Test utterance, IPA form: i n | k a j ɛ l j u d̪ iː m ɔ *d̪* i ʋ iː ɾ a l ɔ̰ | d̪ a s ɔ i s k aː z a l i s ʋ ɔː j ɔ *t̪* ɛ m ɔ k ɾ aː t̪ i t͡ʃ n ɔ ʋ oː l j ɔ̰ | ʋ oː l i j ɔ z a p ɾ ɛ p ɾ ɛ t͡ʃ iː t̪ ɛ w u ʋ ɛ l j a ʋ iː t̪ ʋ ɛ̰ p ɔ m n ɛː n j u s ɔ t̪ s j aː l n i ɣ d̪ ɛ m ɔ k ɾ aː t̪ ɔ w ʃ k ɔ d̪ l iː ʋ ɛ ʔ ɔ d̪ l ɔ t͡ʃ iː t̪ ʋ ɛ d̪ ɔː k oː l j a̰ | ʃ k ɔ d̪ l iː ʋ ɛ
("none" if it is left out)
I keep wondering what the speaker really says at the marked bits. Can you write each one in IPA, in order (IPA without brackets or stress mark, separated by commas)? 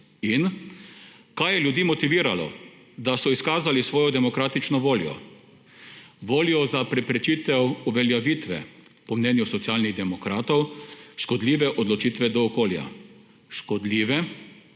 t̪, d̪